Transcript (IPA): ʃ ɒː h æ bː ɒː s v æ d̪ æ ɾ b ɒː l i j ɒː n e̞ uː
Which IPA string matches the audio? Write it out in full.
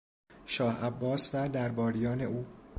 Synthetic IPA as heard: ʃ ɒː h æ bː ɒː s v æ d̪ æ ɾ b ɒː ɾ i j ɒː n e̞ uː